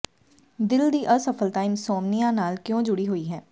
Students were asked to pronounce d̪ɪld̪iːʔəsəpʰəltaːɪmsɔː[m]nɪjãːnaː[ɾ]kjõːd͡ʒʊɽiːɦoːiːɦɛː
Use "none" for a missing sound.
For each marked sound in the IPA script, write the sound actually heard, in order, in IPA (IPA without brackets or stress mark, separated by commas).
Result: m, l